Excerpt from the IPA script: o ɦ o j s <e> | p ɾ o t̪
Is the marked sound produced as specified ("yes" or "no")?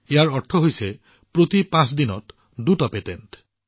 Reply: yes